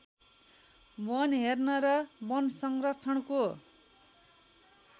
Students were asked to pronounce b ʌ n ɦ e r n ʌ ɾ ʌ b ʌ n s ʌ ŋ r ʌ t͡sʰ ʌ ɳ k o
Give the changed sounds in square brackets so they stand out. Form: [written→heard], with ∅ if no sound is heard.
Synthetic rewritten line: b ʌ n ɦ e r n ʌ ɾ ʌ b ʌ n s ʌ ŋ r ʌ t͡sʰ ʌ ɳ k o

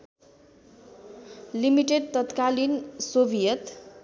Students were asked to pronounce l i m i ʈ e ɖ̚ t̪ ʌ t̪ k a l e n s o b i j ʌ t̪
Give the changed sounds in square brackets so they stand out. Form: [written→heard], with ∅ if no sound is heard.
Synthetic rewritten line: l i m i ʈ e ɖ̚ t̪ ʌ t̪ k a l [e→i] n s o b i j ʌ t̪

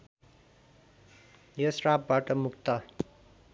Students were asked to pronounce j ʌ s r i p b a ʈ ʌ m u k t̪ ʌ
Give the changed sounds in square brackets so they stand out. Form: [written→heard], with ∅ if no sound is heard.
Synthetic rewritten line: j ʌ s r [i→a] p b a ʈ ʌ m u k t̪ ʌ

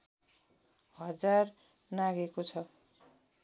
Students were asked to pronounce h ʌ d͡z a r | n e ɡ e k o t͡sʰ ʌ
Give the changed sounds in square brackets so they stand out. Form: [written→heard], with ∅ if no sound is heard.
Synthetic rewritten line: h ʌ d͡z a r | n [e→a] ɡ e k o t͡sʰ ʌ

